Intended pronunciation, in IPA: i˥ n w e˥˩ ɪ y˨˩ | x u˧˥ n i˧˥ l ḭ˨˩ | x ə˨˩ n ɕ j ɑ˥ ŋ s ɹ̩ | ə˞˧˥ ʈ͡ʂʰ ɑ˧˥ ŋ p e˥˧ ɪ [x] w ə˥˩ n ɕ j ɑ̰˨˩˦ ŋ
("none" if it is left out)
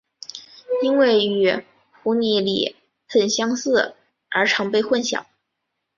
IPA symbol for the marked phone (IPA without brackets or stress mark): x